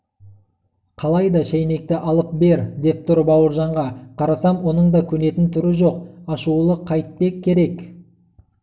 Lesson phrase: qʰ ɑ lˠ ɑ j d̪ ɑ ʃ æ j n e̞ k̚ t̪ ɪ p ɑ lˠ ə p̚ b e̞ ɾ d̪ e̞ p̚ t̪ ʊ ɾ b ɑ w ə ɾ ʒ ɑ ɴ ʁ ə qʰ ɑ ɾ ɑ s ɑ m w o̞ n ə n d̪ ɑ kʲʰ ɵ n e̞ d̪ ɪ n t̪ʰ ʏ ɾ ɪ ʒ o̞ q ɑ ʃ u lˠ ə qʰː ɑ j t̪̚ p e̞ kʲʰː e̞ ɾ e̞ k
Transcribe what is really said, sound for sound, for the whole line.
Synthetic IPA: qʰ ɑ lˠ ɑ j d̪ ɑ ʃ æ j n e̞ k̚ t̪ ɪ ʔ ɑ lˠ ə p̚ b e̞ ɾ d̪ e̞ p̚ t̪ ʊ ɾ b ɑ w ə ɾ ʒ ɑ ɴ ʁ ɑ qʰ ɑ ɾ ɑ s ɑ m w o̞ n ə ɴ d̪ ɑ kʲʰ ɵ n e̞ t̪ ɪ n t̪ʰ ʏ ɾ ɪ ʒ o̞ q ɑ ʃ u lˠ ə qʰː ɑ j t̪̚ p e̞ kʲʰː e̞ ɾ e̞ k